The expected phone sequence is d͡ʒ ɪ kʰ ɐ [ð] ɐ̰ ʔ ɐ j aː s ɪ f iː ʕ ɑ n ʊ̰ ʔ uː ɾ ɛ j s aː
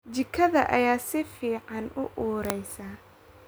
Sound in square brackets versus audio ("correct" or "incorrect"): correct